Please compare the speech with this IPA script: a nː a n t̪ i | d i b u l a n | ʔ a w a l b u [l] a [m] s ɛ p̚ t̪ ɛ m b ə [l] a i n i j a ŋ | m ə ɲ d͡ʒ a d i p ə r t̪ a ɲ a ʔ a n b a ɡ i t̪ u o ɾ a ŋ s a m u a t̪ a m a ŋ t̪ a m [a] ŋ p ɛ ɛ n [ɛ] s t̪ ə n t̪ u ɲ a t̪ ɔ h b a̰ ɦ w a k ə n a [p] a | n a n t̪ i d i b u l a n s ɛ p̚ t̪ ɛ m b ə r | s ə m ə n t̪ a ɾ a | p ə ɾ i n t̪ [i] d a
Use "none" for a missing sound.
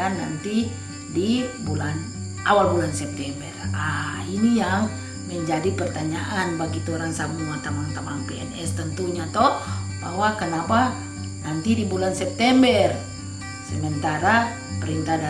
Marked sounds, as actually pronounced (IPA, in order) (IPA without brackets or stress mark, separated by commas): l, n, r, a, ɛ, p, a